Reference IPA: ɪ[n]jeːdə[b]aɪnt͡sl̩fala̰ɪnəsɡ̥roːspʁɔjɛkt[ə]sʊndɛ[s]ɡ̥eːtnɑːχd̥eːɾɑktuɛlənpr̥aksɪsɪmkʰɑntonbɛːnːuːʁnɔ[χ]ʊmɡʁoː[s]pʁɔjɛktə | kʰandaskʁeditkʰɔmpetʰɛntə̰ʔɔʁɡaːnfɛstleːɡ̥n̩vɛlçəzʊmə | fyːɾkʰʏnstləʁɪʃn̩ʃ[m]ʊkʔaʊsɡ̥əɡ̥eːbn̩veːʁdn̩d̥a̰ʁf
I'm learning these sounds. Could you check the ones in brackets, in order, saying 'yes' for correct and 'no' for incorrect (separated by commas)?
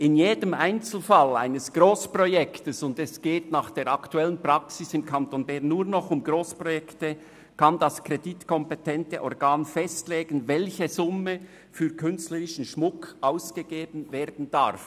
yes, no, yes, yes, yes, yes, yes